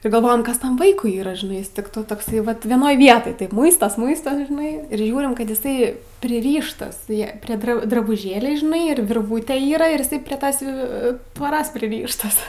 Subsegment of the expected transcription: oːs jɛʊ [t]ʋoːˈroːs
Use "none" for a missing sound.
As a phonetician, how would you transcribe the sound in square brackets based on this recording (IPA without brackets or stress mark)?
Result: t